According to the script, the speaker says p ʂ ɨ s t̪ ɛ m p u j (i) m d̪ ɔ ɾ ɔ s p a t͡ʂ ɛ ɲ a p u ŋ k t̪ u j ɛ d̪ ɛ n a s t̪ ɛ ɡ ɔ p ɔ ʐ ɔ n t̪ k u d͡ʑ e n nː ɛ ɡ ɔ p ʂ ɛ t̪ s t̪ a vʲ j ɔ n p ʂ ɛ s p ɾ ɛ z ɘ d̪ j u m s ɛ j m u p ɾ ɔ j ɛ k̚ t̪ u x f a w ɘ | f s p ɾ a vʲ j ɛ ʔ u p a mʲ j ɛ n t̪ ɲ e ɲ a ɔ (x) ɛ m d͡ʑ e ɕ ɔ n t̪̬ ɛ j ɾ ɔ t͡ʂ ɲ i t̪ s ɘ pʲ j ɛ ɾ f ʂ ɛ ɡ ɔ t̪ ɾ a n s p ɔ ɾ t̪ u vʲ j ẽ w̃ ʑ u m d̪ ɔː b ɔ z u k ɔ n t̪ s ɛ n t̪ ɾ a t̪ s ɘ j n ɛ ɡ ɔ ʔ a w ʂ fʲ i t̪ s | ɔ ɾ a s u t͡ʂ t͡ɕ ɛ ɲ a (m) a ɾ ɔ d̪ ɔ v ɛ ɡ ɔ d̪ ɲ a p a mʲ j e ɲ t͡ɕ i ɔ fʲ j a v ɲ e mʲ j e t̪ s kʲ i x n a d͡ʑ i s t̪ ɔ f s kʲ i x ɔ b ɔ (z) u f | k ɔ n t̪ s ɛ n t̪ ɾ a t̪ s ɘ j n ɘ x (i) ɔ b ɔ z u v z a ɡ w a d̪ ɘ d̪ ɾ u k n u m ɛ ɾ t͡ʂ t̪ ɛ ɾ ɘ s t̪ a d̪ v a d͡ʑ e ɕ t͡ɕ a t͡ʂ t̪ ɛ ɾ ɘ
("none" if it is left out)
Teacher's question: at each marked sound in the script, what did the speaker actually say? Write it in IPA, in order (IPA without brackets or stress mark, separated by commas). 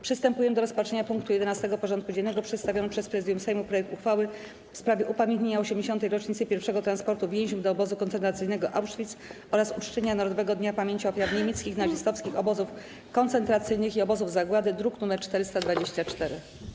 ɛ, ɕ, n, z, i